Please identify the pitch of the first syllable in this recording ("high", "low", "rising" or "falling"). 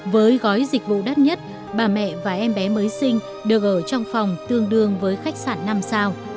rising